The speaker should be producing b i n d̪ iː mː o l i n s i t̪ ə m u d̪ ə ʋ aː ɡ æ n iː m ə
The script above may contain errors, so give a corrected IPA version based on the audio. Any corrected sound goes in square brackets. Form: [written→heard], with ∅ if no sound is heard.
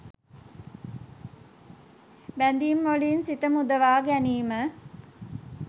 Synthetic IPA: b [i→æ] n d̪ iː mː o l i n s i t̪ ə m u d̪ ə ʋ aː ɡ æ n iː m ə